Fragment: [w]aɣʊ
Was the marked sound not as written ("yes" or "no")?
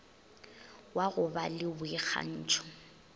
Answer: no